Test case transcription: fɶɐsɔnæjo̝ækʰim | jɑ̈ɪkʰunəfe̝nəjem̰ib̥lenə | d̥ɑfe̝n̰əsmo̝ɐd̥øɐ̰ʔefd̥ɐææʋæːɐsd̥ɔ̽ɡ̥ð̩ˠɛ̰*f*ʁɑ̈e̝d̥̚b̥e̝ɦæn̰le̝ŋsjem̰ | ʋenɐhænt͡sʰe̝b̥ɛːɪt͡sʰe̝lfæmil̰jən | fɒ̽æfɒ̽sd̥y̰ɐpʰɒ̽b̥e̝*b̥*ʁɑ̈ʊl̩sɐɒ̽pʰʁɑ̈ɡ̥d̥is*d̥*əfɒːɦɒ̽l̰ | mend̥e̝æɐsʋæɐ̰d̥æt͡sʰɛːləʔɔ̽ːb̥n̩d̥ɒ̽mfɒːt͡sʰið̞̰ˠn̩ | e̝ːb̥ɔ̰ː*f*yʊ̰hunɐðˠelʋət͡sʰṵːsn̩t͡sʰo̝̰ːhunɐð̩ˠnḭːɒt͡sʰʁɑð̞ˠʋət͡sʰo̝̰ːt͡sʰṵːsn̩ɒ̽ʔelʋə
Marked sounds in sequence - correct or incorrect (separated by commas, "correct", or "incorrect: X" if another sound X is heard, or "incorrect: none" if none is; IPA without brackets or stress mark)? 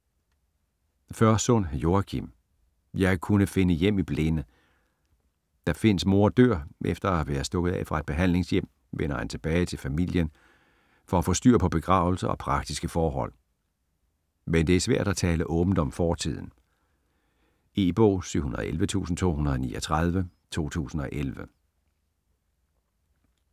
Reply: correct, incorrect: ɡ̥, incorrect: ɡ̥, incorrect: s